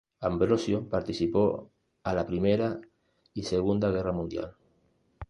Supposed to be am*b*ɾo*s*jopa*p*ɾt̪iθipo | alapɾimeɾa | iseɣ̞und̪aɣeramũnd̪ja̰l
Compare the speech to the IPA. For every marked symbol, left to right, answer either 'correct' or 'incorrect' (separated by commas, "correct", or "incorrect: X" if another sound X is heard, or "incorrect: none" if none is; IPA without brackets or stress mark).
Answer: correct, correct, incorrect: none